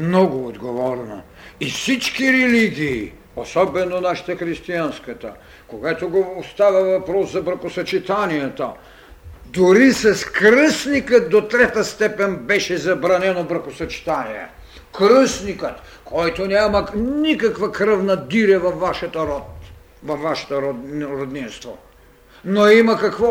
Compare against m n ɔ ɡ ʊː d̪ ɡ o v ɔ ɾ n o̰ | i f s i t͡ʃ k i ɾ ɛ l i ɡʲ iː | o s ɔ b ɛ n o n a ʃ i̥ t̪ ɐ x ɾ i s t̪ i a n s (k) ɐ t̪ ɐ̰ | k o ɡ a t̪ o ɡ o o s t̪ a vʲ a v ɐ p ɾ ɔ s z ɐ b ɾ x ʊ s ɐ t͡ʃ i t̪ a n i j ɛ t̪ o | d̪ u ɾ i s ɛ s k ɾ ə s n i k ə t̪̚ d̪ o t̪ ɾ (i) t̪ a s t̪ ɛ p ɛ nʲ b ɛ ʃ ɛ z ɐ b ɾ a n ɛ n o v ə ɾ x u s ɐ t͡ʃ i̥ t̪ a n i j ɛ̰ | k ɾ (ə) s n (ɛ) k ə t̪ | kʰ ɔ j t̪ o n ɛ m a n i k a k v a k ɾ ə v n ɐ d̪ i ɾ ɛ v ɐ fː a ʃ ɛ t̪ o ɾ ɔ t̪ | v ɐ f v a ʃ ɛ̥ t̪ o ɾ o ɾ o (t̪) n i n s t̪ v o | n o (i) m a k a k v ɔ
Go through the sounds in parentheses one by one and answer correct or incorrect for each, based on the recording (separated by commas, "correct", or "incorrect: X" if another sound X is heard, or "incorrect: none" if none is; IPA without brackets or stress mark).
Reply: correct, incorrect: ɛ, correct, incorrect: i, incorrect: d̪, correct